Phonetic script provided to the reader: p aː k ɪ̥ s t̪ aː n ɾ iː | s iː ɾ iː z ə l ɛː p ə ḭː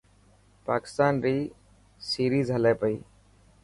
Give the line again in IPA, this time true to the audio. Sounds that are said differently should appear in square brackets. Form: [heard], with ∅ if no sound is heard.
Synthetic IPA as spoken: p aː k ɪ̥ s t̪ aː n ɾ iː | s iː ɾ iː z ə l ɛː p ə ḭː